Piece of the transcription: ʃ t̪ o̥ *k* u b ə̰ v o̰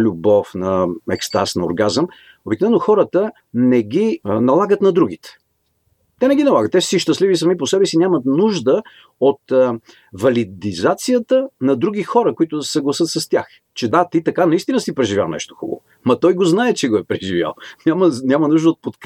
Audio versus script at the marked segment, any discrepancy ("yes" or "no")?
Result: yes